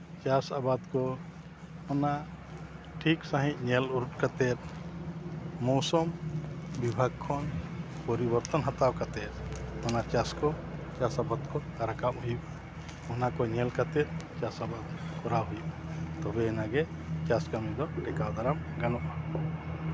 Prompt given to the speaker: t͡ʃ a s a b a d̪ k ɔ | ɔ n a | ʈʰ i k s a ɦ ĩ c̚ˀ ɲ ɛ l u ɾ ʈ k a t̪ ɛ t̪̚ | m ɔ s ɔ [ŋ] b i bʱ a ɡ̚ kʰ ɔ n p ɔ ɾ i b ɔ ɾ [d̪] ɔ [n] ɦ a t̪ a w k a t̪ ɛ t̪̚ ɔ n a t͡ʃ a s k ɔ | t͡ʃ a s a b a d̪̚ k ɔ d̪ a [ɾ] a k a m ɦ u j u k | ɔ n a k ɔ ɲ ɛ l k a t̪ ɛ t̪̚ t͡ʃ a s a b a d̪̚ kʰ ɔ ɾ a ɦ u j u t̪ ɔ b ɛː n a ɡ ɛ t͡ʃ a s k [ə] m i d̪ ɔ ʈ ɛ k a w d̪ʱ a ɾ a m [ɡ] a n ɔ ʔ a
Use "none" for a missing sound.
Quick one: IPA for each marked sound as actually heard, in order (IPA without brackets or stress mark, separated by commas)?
m, t̪, n, ɾ, a, ɡ